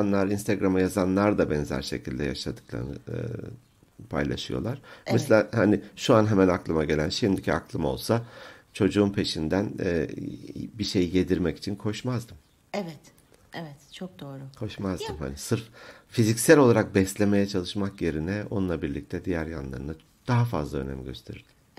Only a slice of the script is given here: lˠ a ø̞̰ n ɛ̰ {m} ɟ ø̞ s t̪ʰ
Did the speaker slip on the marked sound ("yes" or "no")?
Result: no